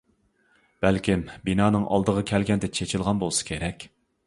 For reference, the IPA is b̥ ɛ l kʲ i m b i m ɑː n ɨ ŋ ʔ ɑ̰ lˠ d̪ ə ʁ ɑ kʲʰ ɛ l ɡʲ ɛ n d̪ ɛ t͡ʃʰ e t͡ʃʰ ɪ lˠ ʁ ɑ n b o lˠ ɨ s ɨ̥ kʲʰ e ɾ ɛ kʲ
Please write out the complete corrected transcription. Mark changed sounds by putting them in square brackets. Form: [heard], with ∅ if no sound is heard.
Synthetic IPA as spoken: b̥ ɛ l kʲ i m b i [n] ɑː n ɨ ŋ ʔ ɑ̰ lˠ d̪ ə ʁ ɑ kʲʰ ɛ l ɡʲ ɛ n d̪ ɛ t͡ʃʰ e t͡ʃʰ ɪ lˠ ʁ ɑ n b o lˠ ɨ s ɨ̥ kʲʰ e ɾ ɛ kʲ